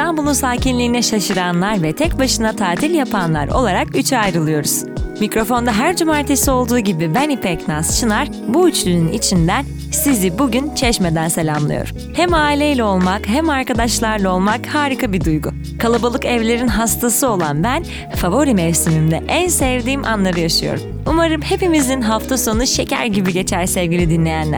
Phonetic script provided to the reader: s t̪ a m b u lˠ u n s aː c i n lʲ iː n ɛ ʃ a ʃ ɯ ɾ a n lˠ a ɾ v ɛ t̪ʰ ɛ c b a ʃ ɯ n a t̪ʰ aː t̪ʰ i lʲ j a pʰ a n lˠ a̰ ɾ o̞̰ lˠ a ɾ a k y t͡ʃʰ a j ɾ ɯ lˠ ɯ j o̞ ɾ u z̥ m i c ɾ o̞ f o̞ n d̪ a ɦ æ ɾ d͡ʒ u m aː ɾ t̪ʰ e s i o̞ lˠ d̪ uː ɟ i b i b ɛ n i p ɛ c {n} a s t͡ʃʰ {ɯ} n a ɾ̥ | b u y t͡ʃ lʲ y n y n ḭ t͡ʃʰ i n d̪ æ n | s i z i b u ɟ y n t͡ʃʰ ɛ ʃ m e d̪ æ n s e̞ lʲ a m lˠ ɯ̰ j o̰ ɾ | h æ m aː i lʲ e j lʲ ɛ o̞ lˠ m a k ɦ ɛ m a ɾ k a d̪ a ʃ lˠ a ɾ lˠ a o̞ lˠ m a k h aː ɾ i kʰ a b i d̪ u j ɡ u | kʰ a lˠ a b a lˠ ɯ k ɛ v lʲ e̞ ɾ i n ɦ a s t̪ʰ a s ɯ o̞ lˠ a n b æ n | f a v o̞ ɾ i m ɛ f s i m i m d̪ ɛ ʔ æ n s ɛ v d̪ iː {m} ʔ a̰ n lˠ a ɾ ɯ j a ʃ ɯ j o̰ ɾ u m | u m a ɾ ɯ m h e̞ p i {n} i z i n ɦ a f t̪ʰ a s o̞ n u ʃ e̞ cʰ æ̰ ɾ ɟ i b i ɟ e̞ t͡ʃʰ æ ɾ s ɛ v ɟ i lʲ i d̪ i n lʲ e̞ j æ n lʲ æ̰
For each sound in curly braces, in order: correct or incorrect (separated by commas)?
correct, correct, correct, incorrect